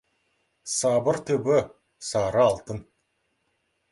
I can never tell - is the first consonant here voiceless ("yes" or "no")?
yes